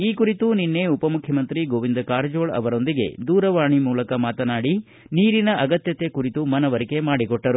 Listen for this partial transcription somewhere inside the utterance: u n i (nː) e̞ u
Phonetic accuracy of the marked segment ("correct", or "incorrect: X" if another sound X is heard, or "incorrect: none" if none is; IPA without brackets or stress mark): correct